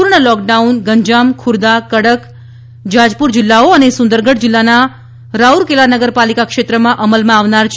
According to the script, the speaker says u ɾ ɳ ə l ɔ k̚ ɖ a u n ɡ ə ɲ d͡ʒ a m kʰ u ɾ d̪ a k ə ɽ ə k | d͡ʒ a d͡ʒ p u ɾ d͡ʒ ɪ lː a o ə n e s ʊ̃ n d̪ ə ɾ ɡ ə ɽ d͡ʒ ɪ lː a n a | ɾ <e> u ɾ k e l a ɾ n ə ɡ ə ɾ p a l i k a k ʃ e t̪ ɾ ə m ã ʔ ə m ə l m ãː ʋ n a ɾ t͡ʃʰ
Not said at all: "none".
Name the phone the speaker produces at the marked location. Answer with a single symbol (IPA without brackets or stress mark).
a